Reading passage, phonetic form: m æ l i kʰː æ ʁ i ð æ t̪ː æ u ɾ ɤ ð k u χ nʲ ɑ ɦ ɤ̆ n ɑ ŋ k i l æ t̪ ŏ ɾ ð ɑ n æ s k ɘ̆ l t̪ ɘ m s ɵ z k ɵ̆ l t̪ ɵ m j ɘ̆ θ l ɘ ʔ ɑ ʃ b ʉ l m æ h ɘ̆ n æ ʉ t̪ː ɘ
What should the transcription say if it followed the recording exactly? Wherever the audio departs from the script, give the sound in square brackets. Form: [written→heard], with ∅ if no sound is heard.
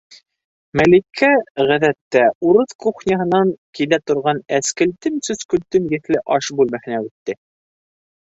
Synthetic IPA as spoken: m æ l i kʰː æ ʁ [i→æ] ð æ t̪ː æ u ɾ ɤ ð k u χ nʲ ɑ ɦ ɤ̆ n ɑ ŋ k i l æ t̪ ŏ ɾ [ð→ʁ] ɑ n æ s k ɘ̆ l t̪ ɘ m s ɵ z k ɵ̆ l t̪ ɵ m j ɘ̆ θ l ɘ ʔ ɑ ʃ b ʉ l m æ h ɘ̆ n æ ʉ t̪ː ɘ